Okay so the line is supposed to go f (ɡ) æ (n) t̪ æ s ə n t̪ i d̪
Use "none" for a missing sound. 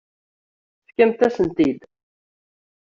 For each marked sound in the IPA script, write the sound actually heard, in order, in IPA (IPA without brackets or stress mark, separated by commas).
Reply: k, m